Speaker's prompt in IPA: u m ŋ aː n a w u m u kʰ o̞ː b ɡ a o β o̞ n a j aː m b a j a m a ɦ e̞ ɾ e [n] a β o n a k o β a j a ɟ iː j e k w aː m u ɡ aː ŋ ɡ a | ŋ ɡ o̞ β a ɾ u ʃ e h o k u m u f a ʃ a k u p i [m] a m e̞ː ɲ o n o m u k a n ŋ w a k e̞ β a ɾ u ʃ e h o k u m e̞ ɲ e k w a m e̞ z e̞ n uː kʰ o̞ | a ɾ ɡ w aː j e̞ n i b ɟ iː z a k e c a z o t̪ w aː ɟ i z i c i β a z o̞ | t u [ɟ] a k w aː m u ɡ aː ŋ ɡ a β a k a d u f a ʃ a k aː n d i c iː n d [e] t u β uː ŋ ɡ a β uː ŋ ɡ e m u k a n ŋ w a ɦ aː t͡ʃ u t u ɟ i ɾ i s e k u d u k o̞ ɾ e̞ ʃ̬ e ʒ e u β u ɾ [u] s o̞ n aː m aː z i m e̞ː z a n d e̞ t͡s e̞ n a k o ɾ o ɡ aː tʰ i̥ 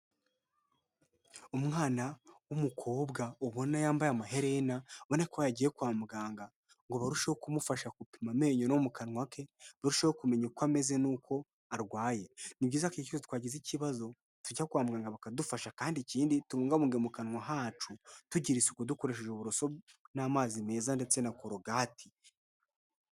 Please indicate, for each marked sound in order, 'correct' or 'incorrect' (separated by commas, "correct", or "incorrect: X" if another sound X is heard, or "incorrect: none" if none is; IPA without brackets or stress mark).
correct, correct, correct, incorrect: i, incorrect: o